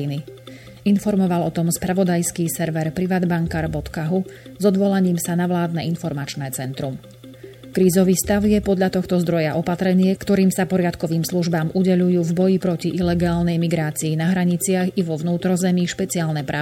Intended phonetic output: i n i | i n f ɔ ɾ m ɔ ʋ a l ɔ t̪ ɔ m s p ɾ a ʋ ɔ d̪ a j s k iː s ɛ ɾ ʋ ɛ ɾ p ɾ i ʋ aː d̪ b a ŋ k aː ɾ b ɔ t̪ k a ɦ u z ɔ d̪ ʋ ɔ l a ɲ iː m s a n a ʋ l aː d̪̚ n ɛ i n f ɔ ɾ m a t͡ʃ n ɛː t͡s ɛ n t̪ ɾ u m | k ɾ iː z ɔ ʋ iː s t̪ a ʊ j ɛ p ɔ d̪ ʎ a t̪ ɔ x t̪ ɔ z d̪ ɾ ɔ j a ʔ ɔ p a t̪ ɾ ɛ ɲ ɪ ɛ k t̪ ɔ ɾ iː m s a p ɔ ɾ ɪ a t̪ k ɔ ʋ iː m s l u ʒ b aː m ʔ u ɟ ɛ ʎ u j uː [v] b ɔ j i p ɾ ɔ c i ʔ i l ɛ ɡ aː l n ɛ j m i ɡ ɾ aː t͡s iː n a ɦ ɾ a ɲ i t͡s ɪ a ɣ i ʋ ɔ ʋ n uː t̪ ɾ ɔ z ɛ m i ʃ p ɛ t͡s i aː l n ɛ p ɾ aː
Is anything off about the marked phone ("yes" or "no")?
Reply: no